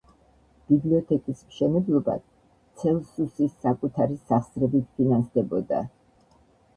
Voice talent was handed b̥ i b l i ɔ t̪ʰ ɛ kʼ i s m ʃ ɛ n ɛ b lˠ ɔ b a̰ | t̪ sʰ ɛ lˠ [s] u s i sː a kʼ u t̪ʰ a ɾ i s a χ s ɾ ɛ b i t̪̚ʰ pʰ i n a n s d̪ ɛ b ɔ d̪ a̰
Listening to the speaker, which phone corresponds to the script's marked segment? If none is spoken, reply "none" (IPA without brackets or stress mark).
s